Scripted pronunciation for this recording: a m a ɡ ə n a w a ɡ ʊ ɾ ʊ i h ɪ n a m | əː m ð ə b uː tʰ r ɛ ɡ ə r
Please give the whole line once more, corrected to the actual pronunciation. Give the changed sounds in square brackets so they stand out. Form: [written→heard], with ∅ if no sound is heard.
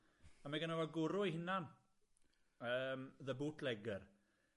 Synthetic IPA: a m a ɡ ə n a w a ɡ ʊ ɾ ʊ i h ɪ n a [m→n] | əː m ð ə b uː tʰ [r→l] ɛ ɡ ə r